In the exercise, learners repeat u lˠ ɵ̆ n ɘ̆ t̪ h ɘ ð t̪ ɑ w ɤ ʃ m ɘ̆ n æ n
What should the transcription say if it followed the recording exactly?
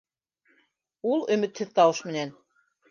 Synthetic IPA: u lˠ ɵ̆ m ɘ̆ t̪ h ɘ ð t̪ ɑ w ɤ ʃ m ɘ̆ n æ n

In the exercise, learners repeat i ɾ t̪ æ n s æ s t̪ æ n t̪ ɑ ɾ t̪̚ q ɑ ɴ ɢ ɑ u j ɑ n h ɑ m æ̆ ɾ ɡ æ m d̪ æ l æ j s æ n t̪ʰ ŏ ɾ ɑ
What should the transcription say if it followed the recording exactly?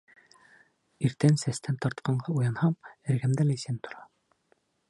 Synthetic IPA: i ɾ t̪ æ n s æ s t̪ æ n t̪ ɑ ɾ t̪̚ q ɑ ɴ ɢ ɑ u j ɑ n h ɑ m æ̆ ɾ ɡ æ m d̪ æ l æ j s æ n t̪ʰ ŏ ɾ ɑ

